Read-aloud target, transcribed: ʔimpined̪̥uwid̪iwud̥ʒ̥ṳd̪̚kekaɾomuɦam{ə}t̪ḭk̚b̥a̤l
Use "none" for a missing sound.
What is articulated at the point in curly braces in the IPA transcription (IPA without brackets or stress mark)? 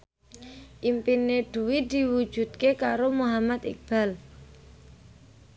a